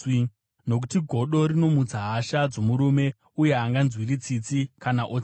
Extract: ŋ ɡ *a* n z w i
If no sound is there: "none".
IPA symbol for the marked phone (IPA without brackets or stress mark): a